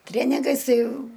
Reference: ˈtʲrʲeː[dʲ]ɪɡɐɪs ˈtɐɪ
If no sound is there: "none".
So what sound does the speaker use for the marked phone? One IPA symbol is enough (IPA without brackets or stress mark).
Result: nʲ